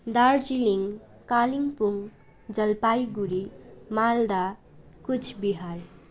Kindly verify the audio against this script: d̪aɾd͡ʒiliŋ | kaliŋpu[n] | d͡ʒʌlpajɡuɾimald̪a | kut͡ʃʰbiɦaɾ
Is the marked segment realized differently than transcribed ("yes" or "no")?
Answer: yes